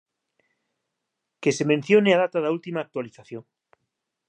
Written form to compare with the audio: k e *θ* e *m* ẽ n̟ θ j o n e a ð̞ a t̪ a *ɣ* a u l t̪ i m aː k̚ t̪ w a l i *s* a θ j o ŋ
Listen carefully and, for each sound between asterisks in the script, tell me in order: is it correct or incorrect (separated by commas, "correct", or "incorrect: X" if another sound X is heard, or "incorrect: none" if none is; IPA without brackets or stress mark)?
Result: incorrect: s, correct, incorrect: ð, incorrect: θ